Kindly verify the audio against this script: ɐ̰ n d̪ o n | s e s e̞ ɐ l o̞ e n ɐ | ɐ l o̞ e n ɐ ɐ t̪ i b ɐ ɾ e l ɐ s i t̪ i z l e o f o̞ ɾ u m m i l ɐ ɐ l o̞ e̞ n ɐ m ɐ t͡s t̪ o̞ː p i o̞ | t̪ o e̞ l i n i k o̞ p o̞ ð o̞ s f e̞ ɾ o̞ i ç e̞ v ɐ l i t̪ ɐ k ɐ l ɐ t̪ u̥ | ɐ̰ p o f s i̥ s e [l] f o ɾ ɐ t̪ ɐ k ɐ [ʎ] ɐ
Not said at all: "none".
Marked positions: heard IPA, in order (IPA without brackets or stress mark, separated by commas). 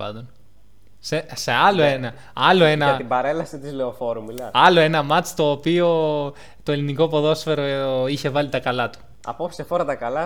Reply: none, l